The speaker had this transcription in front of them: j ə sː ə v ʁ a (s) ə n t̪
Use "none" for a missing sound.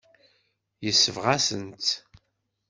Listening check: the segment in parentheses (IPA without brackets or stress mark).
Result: s